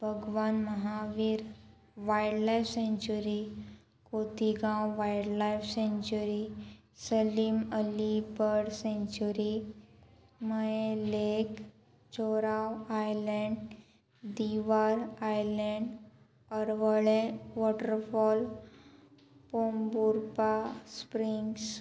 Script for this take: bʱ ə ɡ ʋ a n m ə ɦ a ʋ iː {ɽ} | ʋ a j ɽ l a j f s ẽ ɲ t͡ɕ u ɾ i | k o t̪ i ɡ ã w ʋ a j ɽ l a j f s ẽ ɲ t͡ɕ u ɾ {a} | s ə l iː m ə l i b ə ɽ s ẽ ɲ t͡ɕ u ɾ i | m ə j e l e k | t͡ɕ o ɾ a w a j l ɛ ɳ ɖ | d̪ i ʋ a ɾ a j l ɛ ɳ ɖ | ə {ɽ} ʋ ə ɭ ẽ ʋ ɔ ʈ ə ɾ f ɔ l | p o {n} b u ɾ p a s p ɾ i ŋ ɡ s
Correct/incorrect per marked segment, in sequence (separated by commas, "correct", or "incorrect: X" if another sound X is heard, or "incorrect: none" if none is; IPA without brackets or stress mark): incorrect: ɾ, incorrect: i, incorrect: ɾ, incorrect: m